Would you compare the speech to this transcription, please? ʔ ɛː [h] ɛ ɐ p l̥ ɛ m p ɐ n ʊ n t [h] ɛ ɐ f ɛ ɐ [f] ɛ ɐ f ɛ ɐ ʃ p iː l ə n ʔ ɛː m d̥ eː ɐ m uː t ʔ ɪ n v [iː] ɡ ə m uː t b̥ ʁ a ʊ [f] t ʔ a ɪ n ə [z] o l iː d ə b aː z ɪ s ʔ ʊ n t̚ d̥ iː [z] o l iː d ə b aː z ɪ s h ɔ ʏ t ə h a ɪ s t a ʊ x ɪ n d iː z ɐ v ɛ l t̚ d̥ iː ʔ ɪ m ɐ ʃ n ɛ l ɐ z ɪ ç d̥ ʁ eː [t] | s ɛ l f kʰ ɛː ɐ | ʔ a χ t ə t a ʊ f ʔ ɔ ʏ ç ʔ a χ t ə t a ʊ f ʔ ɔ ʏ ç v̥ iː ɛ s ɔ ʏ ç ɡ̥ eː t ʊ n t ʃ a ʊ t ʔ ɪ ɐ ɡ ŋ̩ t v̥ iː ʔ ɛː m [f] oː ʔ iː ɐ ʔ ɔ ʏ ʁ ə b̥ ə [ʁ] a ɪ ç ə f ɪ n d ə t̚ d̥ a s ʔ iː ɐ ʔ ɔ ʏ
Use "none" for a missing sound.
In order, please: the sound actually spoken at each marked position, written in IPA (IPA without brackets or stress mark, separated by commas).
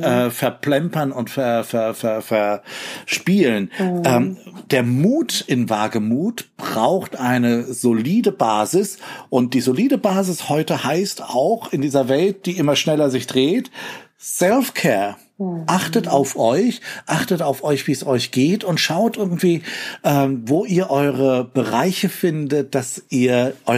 f, f, f, aː, x, z, z, t, v, ʁ